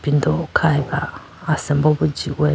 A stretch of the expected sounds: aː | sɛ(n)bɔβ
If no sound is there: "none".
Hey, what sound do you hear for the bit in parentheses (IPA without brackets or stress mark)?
m